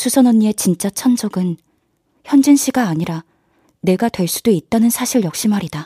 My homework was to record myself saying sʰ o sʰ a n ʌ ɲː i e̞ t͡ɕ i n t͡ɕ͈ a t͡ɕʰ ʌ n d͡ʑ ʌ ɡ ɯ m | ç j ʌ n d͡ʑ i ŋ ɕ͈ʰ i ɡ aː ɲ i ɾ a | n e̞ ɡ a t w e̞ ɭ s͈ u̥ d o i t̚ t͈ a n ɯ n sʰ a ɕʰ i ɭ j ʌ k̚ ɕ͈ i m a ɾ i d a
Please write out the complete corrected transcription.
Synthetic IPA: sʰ u sʰ ʌ n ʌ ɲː i e̞ t͡ɕ i n t͡ɕ͈ a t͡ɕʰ ʌ n d͡ʑ ʌ ɡ ɯ n | ç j ʌ n d͡ʑ i n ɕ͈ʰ i ɡ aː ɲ i ɾ a | n e̞ ɡ a t w e̞ ɭ s͈ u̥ d o i t̚ t͈ a n ɯ n sʰ a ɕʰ i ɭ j ʌ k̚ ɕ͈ i m a ɾ i d a